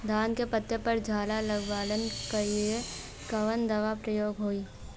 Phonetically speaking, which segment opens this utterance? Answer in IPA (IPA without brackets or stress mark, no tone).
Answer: d̪